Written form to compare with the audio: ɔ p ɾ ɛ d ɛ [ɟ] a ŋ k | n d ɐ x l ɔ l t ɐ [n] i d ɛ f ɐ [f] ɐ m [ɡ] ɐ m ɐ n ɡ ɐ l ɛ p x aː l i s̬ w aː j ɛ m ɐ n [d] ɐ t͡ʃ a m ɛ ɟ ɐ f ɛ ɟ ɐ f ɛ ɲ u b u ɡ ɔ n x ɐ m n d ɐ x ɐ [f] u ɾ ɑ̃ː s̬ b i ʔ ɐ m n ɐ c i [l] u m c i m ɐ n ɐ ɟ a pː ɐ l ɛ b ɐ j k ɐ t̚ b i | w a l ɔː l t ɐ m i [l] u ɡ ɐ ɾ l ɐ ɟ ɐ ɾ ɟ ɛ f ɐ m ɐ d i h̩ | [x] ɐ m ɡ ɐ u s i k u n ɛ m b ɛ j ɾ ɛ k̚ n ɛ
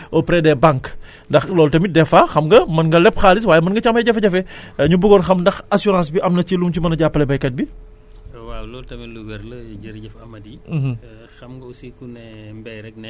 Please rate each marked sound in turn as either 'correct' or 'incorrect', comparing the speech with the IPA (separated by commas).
incorrect, incorrect, incorrect, correct, incorrect, incorrect, correct, correct, correct